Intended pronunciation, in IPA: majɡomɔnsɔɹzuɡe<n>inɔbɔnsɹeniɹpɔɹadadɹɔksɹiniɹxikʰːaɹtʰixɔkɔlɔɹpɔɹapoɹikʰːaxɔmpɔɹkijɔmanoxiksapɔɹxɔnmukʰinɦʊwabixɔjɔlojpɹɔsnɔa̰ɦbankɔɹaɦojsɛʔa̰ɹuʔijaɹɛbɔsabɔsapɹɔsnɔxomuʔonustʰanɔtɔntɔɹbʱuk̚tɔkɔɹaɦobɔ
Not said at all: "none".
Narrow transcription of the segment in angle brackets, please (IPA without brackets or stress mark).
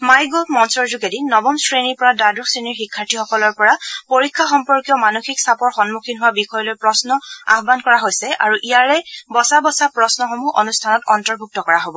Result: d